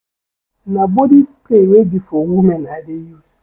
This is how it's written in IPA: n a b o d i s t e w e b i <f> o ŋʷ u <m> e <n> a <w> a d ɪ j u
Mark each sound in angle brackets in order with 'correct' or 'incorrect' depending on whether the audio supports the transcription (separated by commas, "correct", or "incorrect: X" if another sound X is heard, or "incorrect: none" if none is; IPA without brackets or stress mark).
correct, correct, correct, incorrect: none